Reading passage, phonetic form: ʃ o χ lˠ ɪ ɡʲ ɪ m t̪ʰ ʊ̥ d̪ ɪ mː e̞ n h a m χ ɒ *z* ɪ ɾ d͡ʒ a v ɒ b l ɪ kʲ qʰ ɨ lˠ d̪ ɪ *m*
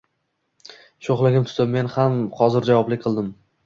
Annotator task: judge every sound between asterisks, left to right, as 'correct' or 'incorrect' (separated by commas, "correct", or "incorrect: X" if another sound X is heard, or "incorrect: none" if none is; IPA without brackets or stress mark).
correct, correct